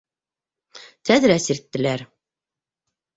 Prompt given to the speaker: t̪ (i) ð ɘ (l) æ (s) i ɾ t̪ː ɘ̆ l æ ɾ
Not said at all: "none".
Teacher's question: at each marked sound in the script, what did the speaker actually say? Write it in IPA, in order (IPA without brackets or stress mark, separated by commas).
æ, ɾ, s